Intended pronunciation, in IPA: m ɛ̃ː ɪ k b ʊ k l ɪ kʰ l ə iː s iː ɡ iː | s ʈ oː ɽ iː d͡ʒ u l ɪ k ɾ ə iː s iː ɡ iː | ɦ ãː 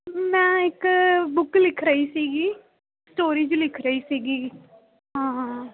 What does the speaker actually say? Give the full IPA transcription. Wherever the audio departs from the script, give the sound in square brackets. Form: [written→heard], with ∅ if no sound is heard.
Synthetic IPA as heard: m ɛ̃ː ɪ k b ʊ k l ɪ kʰ [l→ɾ] ə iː s iː ɡ iː | s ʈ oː [ɽ→ɾ] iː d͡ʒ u l ɪ [k→kʰ] ɾ ə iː s iː ɡ iː | ɦ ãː